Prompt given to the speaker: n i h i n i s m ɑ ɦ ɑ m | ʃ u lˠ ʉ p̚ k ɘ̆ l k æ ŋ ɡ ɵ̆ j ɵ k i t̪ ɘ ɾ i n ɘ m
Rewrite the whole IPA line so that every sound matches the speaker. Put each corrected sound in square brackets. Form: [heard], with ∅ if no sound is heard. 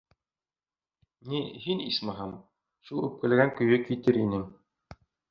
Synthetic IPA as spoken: n i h i n i s m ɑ ɦ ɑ m | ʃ u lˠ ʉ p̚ k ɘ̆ l [ɡ] æ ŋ [k] ɵ̆ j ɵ k i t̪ ɘ ɾ i n ɘ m

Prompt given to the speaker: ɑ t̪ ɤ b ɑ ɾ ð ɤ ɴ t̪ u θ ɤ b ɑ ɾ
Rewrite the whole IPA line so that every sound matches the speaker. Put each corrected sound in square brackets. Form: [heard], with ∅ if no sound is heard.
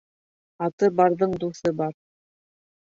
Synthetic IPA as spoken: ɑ t̪ ɤ b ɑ ɾ ð ɤ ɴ [d̪] u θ ɤ b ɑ ɾ

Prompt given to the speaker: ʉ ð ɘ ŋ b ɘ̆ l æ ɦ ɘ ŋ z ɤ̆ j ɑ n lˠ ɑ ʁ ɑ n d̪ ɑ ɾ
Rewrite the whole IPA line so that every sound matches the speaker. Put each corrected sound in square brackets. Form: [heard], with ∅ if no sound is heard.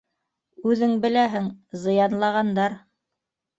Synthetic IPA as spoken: ʉ ð ɘ ŋ b ɘ̆ l æ ɦ ɘ ŋ z ɤ̆ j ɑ n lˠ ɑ ʁ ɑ n d̪ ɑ ɾ

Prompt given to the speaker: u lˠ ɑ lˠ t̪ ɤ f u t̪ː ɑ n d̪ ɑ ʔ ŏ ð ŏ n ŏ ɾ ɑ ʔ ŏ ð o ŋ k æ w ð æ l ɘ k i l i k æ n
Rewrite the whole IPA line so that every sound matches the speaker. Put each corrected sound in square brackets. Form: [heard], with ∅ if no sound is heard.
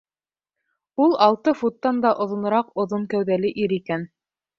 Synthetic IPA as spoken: u lˠ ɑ lˠ t̪ ɤ f u t̪ː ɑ n d̪ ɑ ʔ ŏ ð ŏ n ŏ ɾ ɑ [q] ŏ ð o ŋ k æ w ð æ l ɘ [ʔ] i [ɾ] i k æ n

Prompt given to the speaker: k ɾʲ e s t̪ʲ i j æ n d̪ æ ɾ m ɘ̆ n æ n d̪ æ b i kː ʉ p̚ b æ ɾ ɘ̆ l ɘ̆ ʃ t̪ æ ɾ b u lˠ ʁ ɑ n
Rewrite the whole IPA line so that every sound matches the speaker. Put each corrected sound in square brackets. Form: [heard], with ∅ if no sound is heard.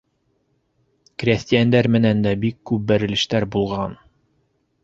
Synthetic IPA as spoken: k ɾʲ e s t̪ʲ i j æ n d̪ æ ɾ m ɘ̆ n æ n d̪ æ b i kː ʉ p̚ b æ ɾ ɘ̆ l ɘ̆ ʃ t̪ æ ɾ b u lˠ ʁ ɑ n

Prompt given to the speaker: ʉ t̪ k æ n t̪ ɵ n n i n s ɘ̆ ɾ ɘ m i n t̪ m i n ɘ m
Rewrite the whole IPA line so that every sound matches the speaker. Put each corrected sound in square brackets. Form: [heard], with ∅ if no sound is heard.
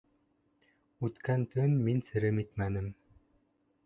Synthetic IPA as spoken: ʉ t̪ k æ n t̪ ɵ n [m] i n s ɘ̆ ɾ ɘ m i [∅] t̪ m [æ] n ɘ m

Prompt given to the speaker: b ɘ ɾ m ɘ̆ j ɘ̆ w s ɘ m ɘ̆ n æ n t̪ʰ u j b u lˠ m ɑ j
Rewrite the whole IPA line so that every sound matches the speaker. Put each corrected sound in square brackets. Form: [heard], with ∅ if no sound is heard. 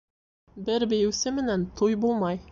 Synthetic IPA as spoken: b ɘ ɾ [b] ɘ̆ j ɘ̆ w s ɘ m ɘ̆ n æ n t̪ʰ u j b u lˠ m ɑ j

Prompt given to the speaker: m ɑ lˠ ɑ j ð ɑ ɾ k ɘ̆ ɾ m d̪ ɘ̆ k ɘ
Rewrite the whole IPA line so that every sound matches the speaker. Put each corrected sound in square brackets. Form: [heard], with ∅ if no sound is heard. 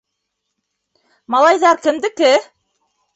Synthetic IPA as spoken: m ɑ lˠ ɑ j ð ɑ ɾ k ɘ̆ [∅] m d̪ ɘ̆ k ɘ

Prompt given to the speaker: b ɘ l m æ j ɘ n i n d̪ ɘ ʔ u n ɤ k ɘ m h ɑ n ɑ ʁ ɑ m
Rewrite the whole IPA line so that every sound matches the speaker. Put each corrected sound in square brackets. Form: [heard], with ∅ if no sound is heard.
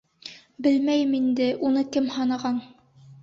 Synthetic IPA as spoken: b ɘ l m æ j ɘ [m] i n d̪ ɘ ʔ u n ɤ k ɘ m h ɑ n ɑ ʁ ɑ [n]

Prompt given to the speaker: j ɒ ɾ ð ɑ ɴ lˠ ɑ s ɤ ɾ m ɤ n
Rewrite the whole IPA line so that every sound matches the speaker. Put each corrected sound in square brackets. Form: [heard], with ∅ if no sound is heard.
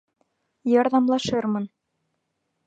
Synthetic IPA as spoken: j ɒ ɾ ð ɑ [m] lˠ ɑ [ʃ] ɤ ɾ m ɤ n

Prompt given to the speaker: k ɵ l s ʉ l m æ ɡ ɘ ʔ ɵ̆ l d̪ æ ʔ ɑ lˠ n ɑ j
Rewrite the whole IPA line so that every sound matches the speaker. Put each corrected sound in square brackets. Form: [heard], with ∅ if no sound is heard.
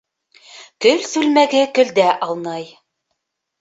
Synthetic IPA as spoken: k ɵ l s ʉ l m æ ɡ ɘ [k] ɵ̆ l d̪ æ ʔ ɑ lˠ n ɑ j

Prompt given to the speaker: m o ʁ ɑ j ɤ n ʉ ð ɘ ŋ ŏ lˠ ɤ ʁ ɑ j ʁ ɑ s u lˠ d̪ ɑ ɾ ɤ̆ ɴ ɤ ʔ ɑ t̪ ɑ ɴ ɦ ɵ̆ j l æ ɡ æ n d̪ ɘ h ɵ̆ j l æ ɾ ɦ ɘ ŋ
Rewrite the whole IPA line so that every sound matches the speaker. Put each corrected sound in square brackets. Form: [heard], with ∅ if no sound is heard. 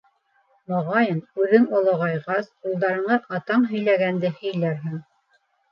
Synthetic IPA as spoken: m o ʁ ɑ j ɤ n ʉ ð ɘ ŋ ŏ lˠ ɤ ʁ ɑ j ʁ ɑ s u lˠ d̪ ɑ ɾ ɤ̆ ɴ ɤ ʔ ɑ t̪ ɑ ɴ ɦ ɵ̆ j l æ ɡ æ n d̪ ɘ h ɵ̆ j l æ ɾ ɦ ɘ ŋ

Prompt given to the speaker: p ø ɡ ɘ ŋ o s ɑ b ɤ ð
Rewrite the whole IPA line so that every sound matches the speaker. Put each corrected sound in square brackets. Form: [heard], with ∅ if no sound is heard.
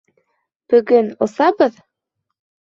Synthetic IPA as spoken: p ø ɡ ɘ [n] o s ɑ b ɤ ð

